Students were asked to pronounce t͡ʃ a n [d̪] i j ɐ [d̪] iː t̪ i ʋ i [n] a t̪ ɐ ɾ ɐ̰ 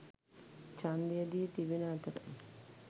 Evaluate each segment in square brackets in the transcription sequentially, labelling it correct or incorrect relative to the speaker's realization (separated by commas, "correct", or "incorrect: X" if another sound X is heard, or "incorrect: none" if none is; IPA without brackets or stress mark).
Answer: correct, correct, correct